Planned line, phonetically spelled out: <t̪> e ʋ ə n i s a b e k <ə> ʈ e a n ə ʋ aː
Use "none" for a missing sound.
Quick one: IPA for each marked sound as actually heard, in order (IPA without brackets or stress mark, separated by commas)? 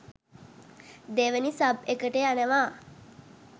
d̪, ə